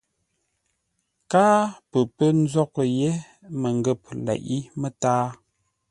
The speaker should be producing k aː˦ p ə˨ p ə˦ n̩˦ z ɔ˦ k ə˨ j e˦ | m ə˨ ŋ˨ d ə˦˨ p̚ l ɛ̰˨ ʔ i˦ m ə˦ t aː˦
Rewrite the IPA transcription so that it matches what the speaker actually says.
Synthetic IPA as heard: k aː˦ p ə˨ p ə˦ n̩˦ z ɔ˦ k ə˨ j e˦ | m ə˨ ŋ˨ ɡ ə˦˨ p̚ l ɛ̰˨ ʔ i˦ m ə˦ t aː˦